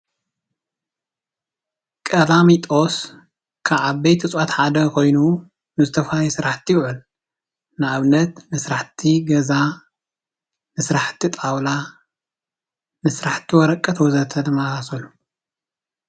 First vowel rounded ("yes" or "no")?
no